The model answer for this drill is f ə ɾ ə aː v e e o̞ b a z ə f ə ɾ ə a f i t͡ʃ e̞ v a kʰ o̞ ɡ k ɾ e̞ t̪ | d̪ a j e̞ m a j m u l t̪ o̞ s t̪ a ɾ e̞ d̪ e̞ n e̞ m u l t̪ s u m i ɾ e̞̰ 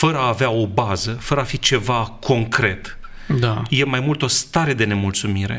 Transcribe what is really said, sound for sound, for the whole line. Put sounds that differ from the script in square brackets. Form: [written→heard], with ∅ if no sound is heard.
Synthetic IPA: f ə ɾ ə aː v e [e→a] o̞ b a z ə f ə ɾ ə a f i t͡ʃ e̞ v a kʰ o̞ [ɡ→ŋ] k ɾ e̞ t̪ | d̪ a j e̞ m a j m u l t̪ o̞ s t̪ a ɾ e̞ d̪ e̞ n e̞ m u l t̪ s u m i ɾ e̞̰